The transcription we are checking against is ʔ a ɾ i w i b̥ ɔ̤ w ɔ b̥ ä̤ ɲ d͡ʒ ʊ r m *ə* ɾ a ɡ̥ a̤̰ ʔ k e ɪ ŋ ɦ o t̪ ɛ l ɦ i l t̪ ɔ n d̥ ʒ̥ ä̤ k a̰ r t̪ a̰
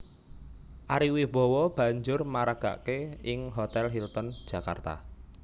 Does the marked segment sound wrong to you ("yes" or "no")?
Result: yes